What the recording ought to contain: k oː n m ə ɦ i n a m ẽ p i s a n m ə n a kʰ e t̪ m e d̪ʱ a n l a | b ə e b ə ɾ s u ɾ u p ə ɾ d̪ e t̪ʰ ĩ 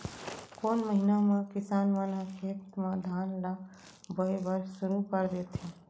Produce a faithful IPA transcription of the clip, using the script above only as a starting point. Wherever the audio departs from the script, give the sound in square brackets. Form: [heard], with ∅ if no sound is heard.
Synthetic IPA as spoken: k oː n m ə ɦ i n a m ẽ [k] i s a n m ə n a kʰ e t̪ m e d̪ʱ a n l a | b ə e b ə ɾ s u ɾ u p ə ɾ d̪ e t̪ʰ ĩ